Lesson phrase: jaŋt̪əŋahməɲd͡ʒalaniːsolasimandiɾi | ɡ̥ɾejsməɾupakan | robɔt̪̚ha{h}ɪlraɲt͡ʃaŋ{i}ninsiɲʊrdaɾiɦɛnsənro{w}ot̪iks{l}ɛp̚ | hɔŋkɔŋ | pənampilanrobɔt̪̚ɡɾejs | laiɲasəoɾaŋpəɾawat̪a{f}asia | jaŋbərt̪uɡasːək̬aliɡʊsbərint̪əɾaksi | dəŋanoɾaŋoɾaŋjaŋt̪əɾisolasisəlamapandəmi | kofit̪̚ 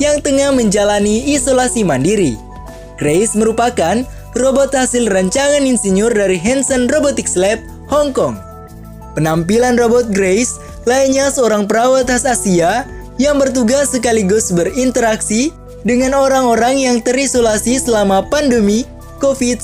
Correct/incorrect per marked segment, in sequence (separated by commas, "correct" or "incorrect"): incorrect, incorrect, incorrect, correct, incorrect